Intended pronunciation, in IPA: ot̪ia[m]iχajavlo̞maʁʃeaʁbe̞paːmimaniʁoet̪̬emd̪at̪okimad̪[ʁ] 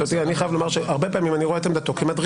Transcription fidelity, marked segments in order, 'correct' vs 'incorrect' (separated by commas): incorrect, correct